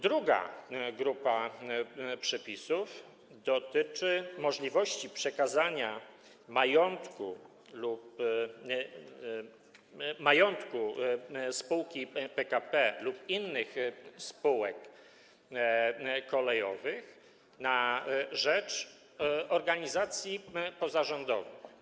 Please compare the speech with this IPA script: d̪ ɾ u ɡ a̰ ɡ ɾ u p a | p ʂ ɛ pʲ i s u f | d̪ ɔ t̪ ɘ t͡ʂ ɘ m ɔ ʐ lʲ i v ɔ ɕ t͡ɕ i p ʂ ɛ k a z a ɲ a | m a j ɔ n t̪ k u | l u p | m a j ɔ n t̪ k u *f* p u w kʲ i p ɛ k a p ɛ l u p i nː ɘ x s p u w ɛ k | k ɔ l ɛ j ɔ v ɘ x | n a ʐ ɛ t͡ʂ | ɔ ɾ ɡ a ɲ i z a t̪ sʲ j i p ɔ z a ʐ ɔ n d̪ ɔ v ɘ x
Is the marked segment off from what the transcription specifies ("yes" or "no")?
yes